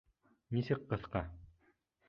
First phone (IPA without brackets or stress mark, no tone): n